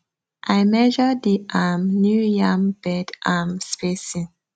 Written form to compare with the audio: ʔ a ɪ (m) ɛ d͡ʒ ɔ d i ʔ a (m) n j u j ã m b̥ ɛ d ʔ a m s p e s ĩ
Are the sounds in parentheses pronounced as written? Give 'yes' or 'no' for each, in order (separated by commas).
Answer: yes, yes